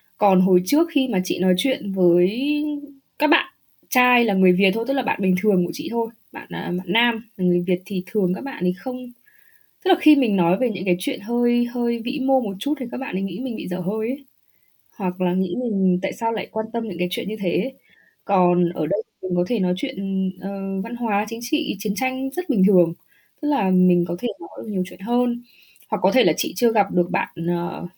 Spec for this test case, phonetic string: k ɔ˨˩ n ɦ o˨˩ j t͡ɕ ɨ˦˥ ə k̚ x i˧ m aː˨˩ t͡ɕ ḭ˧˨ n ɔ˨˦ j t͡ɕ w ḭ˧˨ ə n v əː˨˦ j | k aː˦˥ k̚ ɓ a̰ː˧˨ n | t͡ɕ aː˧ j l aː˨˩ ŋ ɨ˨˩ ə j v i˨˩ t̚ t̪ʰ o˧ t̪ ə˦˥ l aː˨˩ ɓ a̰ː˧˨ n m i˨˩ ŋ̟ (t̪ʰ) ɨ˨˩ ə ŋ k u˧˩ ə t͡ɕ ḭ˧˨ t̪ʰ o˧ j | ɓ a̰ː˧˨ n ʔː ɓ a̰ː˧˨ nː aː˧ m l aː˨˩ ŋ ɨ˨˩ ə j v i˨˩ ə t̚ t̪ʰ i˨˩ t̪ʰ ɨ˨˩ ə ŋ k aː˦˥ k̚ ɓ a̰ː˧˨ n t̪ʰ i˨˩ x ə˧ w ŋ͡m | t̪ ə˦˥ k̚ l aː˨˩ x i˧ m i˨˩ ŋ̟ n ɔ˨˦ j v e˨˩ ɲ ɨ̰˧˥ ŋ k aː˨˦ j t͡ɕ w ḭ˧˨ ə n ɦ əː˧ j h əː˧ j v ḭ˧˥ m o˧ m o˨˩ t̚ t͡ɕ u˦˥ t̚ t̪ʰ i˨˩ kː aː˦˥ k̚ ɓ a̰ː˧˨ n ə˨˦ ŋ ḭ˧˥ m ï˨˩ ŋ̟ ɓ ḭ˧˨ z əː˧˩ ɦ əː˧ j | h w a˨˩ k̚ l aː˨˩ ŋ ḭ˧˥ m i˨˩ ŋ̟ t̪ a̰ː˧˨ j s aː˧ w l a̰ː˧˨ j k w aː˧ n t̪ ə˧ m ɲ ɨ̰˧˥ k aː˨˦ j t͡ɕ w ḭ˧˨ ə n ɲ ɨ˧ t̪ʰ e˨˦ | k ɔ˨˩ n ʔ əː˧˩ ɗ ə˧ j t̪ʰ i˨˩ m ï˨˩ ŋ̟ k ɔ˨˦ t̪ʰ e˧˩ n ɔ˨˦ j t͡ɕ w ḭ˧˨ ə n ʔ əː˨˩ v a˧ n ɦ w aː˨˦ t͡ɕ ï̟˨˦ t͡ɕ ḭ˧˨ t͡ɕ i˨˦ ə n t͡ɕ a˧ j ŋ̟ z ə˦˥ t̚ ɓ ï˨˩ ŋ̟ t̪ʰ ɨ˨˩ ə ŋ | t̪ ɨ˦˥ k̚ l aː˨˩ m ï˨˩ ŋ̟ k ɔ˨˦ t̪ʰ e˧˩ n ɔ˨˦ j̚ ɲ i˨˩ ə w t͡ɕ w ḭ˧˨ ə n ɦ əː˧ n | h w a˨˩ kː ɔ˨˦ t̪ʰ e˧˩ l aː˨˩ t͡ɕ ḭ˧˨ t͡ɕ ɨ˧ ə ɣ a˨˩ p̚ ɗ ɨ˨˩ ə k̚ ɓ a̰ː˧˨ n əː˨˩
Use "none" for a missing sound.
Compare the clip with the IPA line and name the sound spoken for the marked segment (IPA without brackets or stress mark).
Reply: t̪ʰ